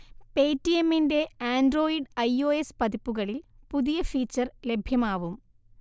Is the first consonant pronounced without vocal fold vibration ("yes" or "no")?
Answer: yes